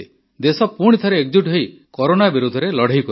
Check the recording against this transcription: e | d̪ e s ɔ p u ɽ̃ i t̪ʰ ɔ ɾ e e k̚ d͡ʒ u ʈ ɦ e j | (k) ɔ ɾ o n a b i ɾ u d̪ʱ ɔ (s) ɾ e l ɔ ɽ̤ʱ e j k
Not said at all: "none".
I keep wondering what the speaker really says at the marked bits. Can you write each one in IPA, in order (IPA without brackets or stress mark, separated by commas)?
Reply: k, none